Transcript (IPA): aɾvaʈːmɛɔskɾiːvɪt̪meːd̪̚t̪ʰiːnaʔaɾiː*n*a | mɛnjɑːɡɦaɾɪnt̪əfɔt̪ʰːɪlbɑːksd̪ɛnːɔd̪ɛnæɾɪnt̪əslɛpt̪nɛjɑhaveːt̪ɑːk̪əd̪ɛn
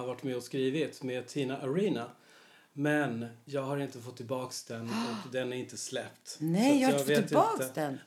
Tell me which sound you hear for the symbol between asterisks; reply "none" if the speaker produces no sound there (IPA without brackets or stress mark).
n